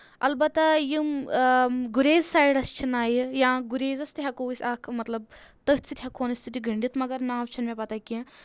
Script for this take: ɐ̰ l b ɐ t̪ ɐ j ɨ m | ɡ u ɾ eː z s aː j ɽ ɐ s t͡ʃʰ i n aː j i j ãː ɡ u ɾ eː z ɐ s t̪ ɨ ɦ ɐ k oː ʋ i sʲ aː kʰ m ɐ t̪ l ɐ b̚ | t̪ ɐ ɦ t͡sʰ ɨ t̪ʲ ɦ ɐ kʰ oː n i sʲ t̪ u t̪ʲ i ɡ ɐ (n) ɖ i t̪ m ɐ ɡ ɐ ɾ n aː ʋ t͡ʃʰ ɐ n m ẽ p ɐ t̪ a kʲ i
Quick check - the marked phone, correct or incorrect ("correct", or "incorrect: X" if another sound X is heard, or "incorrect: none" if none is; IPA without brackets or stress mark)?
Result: incorrect: ɳ